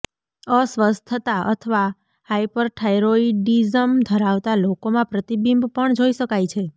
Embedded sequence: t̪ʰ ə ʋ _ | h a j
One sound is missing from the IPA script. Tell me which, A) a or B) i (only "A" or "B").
A